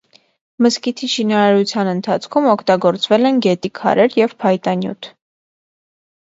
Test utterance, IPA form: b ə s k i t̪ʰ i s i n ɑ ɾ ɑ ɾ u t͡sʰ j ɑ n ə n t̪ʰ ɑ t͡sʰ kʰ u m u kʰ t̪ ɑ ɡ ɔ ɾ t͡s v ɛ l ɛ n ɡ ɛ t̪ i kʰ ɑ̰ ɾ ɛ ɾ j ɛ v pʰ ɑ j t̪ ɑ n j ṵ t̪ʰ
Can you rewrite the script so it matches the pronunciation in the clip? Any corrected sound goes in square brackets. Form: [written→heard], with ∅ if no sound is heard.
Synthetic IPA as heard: [b→m] ə s k i t̪ʰ i [s→ʃ] i n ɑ ɾ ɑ ɾ u t͡sʰ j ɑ n ə n t̪ʰ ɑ t͡sʰ kʰ u m [u→ɔ] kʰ t̪ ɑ ɡ ɔ ɾ t͡s v ɛ l ɛ n ɡ ɛ t̪ i kʰ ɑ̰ ɾ ɛ ɾ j ɛ v pʰ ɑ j t̪ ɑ n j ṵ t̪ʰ